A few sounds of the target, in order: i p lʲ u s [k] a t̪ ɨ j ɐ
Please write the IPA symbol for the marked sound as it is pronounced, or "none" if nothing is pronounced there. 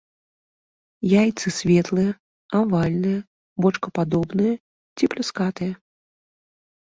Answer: k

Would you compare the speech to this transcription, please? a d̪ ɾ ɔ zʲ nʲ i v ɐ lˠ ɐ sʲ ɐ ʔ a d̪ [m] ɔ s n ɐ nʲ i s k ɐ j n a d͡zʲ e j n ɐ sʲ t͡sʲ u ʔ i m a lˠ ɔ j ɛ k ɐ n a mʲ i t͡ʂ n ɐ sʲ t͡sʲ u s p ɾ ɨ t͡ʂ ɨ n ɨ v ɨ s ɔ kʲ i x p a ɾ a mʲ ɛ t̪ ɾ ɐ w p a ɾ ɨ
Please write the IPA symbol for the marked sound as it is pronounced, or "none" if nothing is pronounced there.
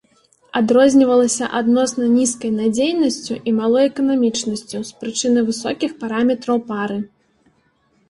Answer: n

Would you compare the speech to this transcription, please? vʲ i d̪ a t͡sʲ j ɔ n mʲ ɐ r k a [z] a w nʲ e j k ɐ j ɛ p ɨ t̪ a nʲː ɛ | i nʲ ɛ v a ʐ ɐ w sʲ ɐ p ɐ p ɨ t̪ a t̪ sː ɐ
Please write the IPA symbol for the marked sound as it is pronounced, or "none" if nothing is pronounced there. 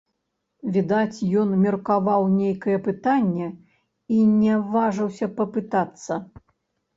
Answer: v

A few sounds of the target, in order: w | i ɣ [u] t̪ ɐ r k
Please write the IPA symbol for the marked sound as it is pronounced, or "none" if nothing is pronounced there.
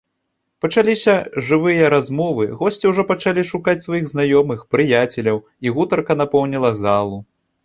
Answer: u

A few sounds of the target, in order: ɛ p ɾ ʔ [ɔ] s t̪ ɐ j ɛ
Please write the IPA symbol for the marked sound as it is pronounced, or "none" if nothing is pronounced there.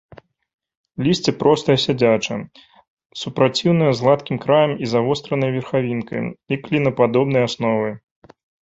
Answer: ɔ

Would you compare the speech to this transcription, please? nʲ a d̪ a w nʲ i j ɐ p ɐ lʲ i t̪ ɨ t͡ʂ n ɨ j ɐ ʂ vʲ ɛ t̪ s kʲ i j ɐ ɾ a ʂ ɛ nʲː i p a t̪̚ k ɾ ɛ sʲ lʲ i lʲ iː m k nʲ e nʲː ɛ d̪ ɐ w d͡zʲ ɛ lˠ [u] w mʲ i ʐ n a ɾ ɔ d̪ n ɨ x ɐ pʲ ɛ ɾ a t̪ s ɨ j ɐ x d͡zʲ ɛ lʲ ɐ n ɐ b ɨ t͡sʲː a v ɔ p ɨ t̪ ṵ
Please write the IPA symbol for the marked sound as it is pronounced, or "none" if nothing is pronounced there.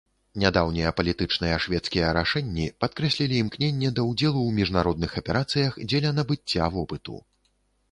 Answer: u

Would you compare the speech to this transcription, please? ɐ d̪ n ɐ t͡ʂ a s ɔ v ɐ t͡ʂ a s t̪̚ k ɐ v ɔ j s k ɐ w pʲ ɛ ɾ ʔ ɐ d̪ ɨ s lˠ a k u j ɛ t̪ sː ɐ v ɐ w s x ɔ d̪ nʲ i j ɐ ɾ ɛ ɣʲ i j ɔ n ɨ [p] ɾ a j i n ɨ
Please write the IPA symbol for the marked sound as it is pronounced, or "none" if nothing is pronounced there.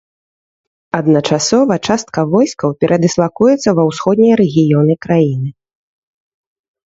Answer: k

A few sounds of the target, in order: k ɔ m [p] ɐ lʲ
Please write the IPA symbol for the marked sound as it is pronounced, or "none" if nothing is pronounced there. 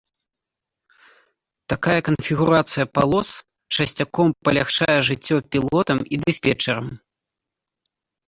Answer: p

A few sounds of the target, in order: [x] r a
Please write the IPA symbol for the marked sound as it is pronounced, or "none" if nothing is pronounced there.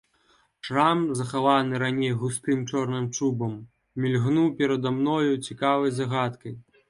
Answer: ʂ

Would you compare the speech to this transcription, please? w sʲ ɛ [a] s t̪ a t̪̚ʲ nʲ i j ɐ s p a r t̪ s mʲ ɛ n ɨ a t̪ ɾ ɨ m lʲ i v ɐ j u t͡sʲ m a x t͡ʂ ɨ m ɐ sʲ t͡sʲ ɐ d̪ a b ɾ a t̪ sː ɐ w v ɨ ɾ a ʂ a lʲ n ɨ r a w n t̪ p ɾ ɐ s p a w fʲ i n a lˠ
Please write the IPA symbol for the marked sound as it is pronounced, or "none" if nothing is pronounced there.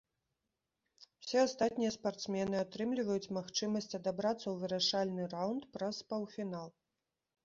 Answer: a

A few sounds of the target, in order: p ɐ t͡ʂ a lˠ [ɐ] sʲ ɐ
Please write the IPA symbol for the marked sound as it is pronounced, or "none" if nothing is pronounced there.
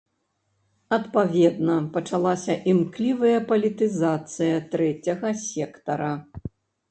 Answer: a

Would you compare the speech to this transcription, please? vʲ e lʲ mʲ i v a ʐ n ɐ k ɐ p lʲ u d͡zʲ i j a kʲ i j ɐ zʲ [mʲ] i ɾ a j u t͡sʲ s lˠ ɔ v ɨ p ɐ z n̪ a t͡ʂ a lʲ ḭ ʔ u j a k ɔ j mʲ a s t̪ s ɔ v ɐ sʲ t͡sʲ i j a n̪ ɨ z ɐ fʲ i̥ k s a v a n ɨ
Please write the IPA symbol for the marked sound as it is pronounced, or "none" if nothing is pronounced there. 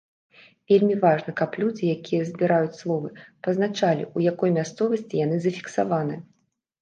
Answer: bʲ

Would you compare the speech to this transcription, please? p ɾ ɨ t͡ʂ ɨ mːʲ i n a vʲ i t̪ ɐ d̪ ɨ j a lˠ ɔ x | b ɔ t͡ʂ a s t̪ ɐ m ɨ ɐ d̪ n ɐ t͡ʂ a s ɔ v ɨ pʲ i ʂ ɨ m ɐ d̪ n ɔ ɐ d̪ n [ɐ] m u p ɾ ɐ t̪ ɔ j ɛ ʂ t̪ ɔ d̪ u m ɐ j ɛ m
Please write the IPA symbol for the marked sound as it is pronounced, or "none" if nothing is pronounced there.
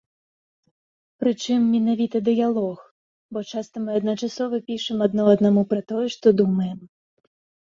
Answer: a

